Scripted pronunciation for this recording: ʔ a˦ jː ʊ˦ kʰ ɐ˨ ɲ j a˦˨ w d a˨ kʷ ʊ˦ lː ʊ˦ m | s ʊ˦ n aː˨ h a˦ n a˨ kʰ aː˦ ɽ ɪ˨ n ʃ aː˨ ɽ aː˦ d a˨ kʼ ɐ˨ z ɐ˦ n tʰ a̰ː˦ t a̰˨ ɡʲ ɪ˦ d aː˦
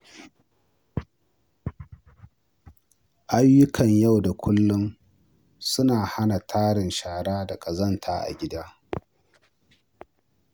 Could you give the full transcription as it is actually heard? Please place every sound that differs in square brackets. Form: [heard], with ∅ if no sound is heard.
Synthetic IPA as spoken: ʔ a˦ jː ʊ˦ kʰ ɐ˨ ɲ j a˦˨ w d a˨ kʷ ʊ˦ lː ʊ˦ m | s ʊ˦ n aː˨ h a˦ n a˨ [tʰ] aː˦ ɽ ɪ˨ n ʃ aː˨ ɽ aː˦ d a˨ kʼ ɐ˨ z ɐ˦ n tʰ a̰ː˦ [ʔ] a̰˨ ɡʲ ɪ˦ d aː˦